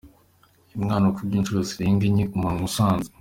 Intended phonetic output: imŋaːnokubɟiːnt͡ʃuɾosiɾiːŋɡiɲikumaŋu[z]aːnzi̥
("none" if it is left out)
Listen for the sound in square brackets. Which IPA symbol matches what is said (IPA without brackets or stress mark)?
s